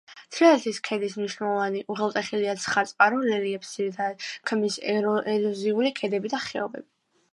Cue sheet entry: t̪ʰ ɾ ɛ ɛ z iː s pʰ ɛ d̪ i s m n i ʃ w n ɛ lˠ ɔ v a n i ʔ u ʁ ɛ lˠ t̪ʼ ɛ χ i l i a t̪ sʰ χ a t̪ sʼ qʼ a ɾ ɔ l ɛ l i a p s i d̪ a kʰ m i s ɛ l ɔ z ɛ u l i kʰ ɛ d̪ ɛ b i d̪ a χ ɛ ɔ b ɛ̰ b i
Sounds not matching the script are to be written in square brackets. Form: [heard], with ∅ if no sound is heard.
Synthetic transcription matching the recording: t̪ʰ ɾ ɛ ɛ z [i] s [kʰ] ɛ d̪ i s m n i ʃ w n ɛ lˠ ɔ v a n i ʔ u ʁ ɛ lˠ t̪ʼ ɛ χ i l i a t̪ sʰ χ a t̪ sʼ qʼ a ɾ ɔ l ɛ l i [ɛ] p s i d̪ a kʰ m i s ɛ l ɔ z [i] u l i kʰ ɛ d̪ ɛ b i d̪ a χ ɛ ɔ b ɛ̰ b i